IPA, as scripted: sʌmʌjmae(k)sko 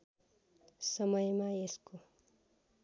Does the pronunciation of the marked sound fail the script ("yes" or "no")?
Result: yes